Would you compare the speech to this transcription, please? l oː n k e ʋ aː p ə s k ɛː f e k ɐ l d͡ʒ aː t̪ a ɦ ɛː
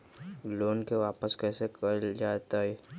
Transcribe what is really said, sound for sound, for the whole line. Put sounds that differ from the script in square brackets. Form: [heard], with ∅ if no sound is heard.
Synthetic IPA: l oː n k e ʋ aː p ə s k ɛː [s] e k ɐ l d͡ʒ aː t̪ a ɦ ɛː

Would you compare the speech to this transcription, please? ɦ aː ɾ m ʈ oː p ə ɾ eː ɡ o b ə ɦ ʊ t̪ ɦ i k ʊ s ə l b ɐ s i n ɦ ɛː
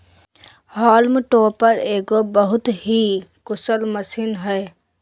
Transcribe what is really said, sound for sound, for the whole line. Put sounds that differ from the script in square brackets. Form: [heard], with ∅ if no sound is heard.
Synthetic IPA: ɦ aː [l] m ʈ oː p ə ɾ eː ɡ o b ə ɦ ʊ t̪ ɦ i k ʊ s ə l [m] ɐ s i n ɦ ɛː

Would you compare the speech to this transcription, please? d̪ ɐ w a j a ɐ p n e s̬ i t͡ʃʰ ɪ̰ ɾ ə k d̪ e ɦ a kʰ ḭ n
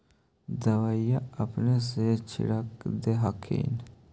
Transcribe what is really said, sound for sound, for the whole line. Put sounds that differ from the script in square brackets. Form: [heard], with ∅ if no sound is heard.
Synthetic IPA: d̪ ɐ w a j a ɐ p n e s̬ [e] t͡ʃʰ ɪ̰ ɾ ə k d̪ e ɦ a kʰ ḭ n

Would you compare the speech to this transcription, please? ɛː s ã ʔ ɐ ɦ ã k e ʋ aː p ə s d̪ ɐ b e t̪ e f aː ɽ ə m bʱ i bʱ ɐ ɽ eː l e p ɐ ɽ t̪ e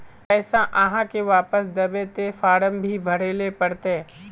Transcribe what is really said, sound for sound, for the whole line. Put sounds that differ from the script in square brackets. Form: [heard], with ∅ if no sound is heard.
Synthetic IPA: ɛː s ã ʔ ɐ ɦ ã k e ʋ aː p ə s d̪ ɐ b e t̪ e f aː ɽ ə m bʱ i bʱ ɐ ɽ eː l e p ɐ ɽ t̪ e

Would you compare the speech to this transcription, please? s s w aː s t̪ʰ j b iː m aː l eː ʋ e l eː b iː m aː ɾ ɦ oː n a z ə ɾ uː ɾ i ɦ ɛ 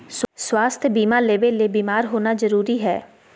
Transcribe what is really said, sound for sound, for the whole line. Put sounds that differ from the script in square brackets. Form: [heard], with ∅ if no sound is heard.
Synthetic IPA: s s w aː s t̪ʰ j b iː m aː l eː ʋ e l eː b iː m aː ɾ ɦ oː n a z ə ɾ uː ɾ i ɦ [ɛː]

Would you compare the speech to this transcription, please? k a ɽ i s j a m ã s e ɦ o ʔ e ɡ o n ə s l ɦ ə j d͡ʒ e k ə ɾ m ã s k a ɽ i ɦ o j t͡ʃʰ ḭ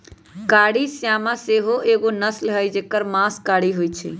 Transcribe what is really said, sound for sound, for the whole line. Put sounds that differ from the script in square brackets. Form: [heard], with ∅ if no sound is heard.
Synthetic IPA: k a ɽ i s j a m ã s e ɦ o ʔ e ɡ o n ə s l ɦ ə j d͡ʒ e k ə ɾ m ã s k a ɽ i ɦ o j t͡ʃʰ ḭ

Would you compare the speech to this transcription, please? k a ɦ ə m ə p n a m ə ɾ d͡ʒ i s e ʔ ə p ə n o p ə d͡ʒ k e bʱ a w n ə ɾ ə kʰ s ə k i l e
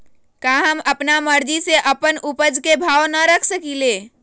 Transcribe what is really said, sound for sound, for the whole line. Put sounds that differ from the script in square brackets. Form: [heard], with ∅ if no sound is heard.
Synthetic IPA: k a ɦ ə m ə p n a m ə ɾ d͡ʒ i s e ʔ ə p ə n [u] p ə d͡ʒ k e bʱ a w n ə ɾ ə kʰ s ə k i l e

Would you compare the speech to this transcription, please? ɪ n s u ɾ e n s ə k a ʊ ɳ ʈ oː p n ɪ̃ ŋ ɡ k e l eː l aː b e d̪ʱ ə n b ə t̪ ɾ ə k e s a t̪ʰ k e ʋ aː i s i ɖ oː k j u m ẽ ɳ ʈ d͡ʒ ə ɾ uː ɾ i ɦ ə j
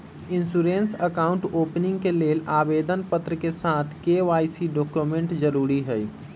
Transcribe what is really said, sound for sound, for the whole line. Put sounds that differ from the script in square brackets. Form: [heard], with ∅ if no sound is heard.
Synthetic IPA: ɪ n s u ɾ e n s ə k a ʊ ɳ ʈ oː p n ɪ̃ ŋ ɡ k e l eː l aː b e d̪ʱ ə n [p] ə t̪ ɾ ə k e s a t̪ʰ k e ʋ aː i s i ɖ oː k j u m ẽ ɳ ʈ d͡ʒ ə ɾ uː ɾ i ɦ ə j

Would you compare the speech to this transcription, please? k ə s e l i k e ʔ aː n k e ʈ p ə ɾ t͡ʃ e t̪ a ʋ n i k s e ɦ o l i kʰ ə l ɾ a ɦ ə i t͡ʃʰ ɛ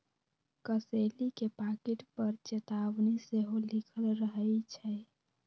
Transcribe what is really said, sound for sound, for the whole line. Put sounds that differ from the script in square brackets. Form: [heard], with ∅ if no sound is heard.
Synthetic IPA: k ə s e l i k e [p] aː [∅] k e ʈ p ə ɾ t͡ʃ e t̪ a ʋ n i [∅] s e ɦ o l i kʰ ə l ɾ [ə] ɦ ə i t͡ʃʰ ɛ

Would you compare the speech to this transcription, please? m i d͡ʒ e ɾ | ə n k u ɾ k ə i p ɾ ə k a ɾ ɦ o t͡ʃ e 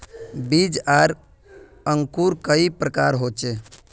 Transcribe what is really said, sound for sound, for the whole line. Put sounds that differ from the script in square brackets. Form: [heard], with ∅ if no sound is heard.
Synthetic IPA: [b] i d͡ʒ [a] ɾ | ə [ŋ] k u ɾ k ə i p ɾ ə k a ɾ ɦ o t͡ʃ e

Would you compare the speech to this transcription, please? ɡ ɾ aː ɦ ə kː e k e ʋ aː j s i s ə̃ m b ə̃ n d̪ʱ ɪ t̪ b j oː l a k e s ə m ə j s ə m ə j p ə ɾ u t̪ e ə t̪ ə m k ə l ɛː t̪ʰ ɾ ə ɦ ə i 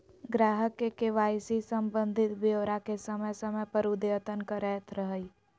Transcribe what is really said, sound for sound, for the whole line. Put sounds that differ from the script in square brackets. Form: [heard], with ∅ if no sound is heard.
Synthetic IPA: ɡ ɾ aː ɦ ə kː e k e ʋ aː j s i s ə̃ m b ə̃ n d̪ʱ ɪ t̪ b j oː [ɾ] a k e s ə m ə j s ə m ə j p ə ɾ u [d̪] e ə t̪ ə [n] k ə [ɾ] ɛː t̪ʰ ɾ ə ɦ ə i

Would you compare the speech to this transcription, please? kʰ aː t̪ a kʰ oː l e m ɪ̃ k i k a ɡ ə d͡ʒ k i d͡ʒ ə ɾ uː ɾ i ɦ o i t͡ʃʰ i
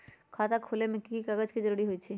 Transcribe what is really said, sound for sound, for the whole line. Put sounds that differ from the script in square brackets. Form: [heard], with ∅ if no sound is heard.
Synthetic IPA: kʰ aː t̪ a kʰ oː l e m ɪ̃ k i k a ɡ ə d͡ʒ k i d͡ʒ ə ɾ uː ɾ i ɦ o i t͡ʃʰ i

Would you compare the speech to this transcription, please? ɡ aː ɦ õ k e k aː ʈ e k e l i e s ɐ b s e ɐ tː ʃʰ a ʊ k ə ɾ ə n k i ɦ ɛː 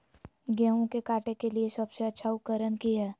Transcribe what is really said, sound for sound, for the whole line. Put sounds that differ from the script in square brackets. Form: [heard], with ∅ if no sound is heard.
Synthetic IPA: ɡ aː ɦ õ k e k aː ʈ e k e l i e s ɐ b s e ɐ tː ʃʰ a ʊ k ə ɾ ə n k i ɦ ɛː

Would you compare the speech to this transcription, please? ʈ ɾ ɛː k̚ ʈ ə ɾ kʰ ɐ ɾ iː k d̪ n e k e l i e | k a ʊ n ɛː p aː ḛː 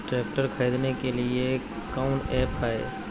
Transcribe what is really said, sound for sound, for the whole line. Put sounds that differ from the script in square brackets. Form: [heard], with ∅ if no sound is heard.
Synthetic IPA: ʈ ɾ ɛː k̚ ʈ ə ɾ kʰ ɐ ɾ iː [∅] d̪ n e k e l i e | k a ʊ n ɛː p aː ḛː

